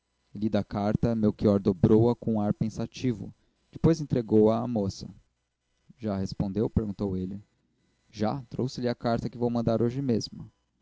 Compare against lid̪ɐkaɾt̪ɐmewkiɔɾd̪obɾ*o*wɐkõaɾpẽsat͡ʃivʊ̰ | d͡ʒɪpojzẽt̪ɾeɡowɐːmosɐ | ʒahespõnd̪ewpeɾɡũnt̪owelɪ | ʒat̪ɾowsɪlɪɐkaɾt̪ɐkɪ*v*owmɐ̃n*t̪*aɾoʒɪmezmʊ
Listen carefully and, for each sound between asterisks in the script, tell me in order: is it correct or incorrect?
correct, correct, incorrect: d̪

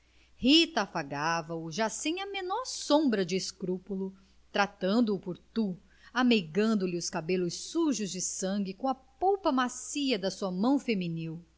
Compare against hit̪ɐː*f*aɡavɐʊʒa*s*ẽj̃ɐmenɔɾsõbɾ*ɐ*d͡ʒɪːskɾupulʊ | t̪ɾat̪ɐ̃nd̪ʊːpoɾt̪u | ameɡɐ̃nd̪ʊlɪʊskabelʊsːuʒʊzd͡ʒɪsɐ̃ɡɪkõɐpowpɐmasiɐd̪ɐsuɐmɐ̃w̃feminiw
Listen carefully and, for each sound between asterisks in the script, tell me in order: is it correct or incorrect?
correct, correct, correct

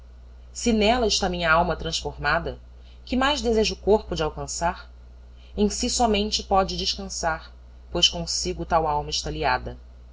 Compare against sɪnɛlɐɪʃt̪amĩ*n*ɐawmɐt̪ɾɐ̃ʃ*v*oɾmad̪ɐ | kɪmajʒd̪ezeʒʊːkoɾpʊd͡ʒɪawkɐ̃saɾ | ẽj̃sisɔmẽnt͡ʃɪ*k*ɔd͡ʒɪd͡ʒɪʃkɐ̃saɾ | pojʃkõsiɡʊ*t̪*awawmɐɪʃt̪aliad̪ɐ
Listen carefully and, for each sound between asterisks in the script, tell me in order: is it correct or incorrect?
incorrect: ɲ, incorrect: f, incorrect: p, correct

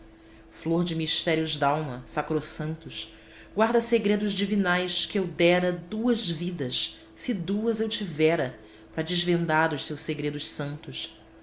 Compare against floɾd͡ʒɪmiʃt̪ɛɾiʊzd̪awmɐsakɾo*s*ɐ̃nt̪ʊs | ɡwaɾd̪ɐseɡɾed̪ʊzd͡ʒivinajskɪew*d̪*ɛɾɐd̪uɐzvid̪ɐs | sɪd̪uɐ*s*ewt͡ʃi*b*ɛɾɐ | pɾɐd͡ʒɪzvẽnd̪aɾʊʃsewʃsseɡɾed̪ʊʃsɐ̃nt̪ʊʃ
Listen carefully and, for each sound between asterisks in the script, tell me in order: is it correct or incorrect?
correct, correct, incorrect: z, incorrect: v

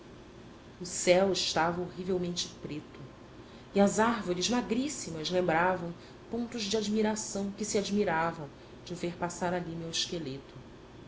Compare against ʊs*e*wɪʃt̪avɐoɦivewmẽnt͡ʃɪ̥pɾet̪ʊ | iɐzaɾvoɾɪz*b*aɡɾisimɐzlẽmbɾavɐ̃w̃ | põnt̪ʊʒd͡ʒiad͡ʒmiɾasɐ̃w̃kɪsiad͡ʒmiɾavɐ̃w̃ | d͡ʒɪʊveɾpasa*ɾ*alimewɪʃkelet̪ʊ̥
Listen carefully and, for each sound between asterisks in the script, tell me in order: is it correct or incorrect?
incorrect: ɛ, incorrect: m, correct

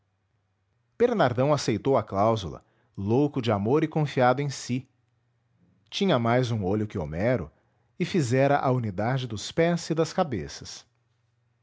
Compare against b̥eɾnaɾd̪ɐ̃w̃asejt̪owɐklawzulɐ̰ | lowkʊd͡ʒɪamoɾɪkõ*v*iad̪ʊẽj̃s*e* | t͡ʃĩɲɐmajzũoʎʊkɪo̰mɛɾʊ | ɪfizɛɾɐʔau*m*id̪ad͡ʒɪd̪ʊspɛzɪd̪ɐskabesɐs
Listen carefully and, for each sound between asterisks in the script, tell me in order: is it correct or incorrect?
incorrect: f, incorrect: i, incorrect: n

